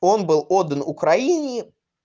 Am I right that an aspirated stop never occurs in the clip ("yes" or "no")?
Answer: yes